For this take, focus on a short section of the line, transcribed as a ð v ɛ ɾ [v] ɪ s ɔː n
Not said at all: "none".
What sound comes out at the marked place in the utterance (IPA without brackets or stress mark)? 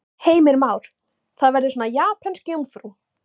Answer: ð